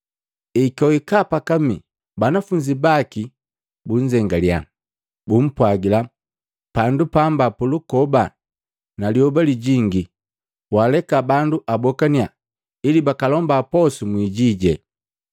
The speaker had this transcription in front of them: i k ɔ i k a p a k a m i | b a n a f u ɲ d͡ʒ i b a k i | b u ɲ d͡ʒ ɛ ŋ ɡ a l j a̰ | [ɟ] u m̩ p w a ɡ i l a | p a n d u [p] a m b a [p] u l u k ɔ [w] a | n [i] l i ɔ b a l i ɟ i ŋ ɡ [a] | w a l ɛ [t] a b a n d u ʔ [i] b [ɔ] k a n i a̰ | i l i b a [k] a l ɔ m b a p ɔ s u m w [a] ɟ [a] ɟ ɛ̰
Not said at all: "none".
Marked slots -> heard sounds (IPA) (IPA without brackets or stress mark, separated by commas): b, p, p, b, a, i, k, a, ɔ, k, i, i